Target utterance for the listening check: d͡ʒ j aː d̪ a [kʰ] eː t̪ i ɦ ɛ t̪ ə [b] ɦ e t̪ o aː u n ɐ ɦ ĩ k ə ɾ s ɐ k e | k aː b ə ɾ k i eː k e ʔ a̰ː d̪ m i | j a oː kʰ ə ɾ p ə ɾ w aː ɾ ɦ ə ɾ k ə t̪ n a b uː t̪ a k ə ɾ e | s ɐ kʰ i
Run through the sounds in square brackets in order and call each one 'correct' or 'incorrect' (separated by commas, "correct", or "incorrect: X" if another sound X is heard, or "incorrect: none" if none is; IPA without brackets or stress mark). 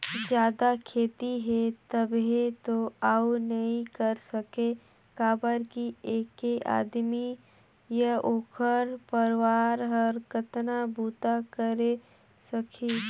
correct, correct